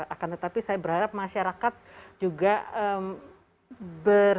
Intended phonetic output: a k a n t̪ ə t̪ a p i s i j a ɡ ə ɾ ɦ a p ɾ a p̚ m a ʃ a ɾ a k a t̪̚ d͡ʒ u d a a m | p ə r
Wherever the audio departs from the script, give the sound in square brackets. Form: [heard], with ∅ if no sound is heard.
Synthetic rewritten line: a k a n t̪ ə t̪ a p i s [a] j a [b] ə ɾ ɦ a [∅] ɾ a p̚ m a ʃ a ɾ a k a t̪̚ d͡ʒ u [ɡ] a [ə] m | [b] ə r